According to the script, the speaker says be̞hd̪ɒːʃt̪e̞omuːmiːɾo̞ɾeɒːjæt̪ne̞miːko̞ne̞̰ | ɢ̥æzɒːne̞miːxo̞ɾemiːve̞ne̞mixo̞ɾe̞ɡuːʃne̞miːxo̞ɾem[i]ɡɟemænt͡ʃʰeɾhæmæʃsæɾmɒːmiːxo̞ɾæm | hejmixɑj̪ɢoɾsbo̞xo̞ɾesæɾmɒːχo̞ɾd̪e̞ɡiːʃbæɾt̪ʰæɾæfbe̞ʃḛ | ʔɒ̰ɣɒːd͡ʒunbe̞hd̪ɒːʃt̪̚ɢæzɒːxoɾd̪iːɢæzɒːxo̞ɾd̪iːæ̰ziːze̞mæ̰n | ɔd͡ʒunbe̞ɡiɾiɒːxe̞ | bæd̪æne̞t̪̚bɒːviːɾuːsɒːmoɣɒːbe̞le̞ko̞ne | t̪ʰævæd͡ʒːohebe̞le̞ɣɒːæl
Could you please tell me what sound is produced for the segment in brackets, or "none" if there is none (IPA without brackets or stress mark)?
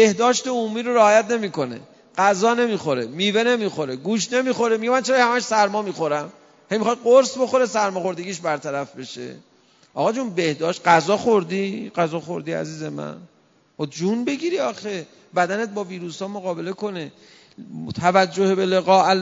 i